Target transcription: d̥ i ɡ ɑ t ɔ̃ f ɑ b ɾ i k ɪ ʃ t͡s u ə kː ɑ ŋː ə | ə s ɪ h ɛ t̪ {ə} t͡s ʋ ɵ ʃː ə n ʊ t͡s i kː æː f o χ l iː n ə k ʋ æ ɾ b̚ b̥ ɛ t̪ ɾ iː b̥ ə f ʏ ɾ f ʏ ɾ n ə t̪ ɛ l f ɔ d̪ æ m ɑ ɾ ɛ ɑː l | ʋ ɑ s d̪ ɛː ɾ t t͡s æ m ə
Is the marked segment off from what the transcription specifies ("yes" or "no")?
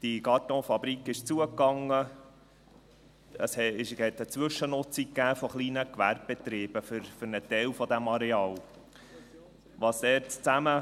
no